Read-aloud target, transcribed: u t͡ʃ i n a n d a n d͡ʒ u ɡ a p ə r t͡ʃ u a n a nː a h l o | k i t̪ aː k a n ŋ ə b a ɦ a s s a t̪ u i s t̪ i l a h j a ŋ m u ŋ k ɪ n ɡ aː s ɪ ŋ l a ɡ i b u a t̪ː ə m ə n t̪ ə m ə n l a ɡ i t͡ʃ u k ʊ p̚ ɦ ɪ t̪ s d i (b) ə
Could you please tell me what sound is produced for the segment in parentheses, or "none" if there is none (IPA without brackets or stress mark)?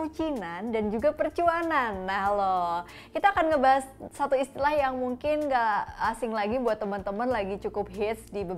b